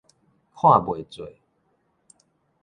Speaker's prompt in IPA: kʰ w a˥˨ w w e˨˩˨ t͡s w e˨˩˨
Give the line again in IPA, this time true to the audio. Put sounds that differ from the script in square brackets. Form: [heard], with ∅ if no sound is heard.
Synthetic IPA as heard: kʰ w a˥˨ [b] w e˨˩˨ t͡s w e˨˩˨